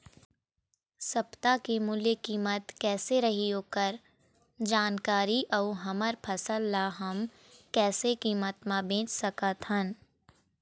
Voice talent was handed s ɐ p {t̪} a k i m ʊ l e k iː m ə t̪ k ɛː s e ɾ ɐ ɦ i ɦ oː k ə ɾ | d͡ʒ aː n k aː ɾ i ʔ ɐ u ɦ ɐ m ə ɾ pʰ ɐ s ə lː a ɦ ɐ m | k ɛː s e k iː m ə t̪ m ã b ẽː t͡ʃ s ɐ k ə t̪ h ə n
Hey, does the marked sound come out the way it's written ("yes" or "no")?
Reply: yes